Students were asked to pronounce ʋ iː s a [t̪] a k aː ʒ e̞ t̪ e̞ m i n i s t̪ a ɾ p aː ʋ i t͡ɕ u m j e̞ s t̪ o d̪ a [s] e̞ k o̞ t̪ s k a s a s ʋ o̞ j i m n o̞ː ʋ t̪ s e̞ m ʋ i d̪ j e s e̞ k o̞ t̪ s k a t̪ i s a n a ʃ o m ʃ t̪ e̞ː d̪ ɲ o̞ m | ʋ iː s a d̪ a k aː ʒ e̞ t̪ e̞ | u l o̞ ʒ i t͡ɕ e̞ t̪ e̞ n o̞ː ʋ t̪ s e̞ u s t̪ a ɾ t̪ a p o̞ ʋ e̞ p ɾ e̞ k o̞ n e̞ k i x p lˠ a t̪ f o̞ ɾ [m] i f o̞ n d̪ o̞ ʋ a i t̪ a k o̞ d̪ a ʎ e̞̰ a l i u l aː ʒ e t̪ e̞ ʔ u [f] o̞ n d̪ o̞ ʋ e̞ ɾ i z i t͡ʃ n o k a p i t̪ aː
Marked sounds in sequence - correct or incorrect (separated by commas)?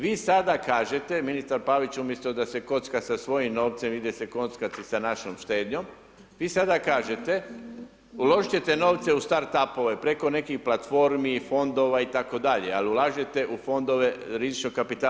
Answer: incorrect, correct, correct, correct